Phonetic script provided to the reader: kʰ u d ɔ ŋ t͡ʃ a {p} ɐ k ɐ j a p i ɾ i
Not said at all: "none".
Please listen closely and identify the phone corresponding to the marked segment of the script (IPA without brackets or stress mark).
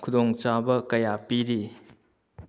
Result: b